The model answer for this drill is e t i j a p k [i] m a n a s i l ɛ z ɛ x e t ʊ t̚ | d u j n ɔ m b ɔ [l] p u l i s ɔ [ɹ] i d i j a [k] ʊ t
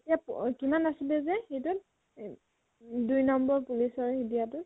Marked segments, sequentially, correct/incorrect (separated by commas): correct, incorrect, correct, incorrect